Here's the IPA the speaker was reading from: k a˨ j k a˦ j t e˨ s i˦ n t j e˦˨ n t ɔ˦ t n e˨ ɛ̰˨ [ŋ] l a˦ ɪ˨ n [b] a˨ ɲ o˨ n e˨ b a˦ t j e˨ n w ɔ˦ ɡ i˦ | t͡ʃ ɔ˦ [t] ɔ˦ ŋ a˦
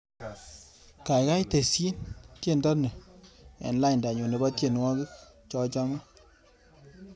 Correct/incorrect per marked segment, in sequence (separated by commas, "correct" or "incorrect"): incorrect, incorrect, incorrect